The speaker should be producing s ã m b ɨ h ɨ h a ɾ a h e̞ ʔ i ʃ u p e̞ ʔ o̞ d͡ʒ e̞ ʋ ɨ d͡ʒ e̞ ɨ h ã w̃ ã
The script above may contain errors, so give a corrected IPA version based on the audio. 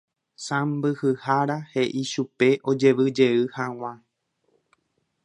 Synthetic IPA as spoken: s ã m b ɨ h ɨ h a ɾ a h e̞ ʔ i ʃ u p e̞ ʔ o̞ d͡ʒ e̞ ʋ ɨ d͡ʒ e̞ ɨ h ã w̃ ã

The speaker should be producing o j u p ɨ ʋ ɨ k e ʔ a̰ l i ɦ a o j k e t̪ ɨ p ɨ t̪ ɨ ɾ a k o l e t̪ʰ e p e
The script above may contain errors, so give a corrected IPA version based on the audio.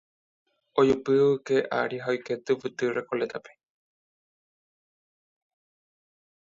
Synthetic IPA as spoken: o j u p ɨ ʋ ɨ k e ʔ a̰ ɾ i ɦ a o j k e t̪ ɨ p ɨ t̪ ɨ ɾ e k o l e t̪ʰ a p e

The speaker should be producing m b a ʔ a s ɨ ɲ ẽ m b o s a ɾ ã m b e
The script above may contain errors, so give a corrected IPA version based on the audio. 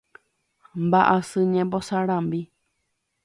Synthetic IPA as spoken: m b a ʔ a s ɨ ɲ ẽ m b o s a ɾ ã m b i

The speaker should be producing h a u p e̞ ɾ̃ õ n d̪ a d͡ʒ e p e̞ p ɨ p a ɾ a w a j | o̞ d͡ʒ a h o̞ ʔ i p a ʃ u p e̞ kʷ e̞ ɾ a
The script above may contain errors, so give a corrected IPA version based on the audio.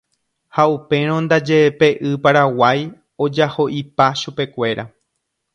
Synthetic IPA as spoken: h a u p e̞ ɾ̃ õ n d̪ a d͡ʒ e p e̞ ʔ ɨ p a ɾ a w a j | o̞ d͡ʒ a h o̞ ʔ i p a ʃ u p e̞ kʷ e̞ ɾ a

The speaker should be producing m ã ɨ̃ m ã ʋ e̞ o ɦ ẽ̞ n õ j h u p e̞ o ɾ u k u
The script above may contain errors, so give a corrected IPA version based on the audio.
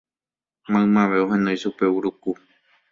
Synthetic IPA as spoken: m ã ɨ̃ m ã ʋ e̞ o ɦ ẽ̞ n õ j ʃ u p e̞ u ɾ u k u

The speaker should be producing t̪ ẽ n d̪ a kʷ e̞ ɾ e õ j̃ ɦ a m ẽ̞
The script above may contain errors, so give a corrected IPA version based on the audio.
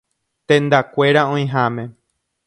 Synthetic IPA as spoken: t̪ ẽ n d̪ a kʷ e̞ ɾ a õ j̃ ɦ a m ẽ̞

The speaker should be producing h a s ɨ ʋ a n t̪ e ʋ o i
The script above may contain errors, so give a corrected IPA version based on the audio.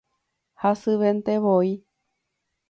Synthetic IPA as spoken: h a s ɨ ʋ e n t̪ e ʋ o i

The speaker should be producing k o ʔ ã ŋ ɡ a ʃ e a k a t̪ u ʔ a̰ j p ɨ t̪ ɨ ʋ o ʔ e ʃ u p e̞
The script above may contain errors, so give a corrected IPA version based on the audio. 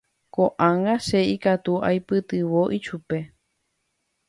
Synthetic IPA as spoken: k o ʔ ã ŋ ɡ a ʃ e i k a t̪ u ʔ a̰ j p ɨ t̪ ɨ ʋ o ʔ i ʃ u p e̞

